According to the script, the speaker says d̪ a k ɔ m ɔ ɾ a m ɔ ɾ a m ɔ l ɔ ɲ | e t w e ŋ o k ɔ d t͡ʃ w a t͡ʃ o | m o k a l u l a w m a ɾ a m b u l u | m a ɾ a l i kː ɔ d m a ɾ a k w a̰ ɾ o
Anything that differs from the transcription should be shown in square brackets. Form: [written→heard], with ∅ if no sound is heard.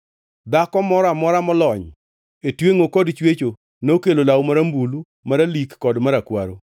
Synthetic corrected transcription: d̪ a k ɔ m ɔ ɾ a m ɔ ɾ a m ɔ l ɔ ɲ | e t w e ŋ o k ɔ d t͡ʃ w [a→e] t͡ʃ o | [m→n] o k [a→e] l [u→o] l a w m a ɾ a m b u l u | m a ɾ a l i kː ɔ d m a ɾ a k w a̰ ɾ o